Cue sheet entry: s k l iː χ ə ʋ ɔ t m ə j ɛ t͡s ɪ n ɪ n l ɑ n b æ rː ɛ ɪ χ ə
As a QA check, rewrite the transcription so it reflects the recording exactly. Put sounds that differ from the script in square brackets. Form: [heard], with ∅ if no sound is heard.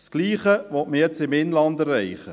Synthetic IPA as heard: s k l iː χ ə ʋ ɔ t m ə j ɛ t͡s ɪ [m] ɪ n l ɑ n [d] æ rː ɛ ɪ χ ə